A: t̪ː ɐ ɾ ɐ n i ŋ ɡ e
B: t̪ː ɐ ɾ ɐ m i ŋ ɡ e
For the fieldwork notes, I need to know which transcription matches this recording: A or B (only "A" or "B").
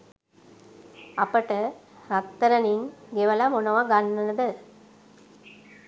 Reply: A